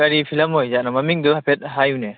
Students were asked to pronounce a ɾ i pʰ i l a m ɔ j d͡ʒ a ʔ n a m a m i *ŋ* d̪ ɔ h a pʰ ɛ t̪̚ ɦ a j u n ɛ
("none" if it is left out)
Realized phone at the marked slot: ŋ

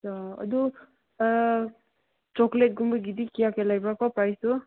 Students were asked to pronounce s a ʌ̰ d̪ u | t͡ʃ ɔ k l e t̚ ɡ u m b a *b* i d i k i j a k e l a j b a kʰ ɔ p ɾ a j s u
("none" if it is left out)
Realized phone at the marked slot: ɡ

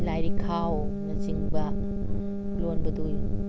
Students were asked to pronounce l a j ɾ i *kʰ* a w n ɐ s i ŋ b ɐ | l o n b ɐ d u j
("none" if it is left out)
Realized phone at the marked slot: kʰ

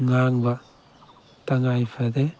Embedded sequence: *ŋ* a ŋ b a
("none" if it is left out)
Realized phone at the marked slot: ŋ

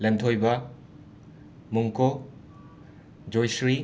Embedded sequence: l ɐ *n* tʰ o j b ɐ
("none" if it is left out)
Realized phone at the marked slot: n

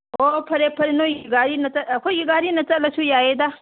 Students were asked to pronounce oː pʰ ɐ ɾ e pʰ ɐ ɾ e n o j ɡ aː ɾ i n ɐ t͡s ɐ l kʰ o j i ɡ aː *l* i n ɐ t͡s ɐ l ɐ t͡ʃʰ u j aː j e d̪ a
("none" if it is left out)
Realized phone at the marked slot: ɾ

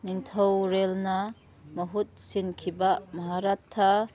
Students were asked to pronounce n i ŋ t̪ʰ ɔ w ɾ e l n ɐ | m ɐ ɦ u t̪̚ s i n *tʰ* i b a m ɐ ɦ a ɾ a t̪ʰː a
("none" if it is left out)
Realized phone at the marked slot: kʰ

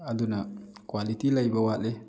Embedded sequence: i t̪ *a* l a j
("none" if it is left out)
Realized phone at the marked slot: i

